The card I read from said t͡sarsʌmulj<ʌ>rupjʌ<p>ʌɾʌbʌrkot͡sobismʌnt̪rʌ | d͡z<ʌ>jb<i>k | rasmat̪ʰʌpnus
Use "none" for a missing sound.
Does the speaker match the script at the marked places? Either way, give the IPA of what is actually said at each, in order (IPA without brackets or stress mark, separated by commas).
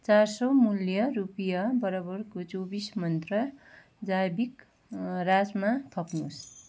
ʌ, b, a, i